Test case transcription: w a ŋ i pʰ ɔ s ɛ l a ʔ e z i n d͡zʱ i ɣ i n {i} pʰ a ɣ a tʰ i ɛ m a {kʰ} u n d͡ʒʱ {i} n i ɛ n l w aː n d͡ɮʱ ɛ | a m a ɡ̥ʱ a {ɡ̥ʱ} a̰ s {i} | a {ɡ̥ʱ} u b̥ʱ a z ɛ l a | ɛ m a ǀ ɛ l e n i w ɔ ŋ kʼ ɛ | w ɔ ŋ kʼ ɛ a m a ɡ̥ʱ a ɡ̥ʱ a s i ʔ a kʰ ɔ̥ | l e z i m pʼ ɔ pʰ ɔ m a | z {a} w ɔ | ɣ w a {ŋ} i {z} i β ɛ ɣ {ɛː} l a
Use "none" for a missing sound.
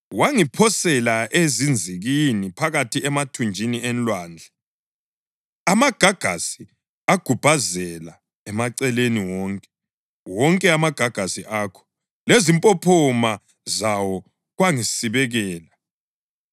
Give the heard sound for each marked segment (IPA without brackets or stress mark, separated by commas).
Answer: i, tʰ, i, ɡ̥ʱ, i, ɡ̥ʱ, a, ŋ, s, ɛː